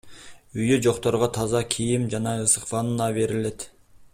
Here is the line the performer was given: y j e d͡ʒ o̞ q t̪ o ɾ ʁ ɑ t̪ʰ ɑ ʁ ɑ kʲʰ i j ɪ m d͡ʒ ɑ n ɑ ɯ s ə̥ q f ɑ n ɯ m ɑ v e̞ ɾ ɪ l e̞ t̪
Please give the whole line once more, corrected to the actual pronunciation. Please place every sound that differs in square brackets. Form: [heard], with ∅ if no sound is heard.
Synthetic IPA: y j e d͡ʒ o̞ q t̪ o ɾ ʁ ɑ t̪ʰ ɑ [z] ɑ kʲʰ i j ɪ m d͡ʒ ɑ n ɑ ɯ s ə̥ q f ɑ n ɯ [n] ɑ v e̞ ɾ ɪ l e̞ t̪